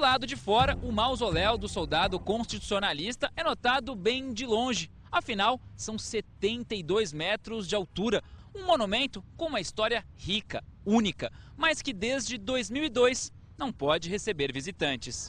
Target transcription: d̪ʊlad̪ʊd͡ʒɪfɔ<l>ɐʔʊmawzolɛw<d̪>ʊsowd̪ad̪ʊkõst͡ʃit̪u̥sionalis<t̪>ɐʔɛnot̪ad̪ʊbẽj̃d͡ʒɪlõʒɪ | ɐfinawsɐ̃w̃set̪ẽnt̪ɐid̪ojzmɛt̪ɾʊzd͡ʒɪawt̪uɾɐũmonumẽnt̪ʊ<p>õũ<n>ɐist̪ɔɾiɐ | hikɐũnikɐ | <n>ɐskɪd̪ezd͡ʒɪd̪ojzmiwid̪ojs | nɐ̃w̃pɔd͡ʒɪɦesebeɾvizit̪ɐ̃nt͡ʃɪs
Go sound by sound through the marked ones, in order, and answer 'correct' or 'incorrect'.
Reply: incorrect: ɾ, correct, correct, incorrect: k, incorrect: m, incorrect: m

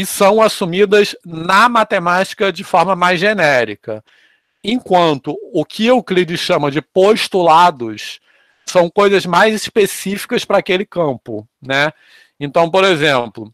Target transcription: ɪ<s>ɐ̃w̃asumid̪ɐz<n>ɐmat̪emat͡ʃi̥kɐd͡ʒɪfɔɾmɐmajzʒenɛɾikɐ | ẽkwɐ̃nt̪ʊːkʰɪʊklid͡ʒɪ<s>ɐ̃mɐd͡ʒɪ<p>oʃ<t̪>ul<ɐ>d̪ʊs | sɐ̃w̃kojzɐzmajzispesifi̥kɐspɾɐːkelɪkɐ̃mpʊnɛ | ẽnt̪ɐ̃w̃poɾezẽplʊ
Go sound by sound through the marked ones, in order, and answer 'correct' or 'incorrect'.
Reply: correct, correct, incorrect: ʃ, correct, correct, incorrect: a

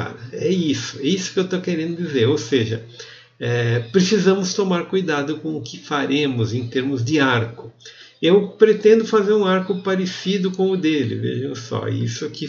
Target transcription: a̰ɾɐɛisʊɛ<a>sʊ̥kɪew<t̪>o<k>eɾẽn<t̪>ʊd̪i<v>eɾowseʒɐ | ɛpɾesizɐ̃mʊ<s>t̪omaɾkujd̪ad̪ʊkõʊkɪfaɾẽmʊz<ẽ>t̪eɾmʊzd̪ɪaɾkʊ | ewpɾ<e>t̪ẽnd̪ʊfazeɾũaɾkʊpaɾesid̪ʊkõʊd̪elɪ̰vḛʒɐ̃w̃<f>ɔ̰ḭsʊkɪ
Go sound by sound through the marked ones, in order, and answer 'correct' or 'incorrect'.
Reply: incorrect: i, correct, correct, incorrect: d̪, incorrect: z, correct, correct, correct, incorrect: s

